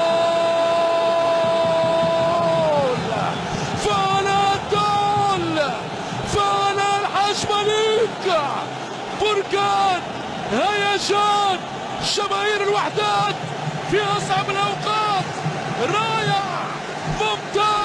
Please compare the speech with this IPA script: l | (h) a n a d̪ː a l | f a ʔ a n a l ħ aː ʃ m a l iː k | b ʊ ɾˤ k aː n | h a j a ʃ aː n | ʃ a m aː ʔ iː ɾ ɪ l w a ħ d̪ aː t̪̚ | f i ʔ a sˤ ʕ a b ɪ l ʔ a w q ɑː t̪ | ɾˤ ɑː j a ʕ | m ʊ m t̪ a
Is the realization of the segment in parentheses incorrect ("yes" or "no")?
yes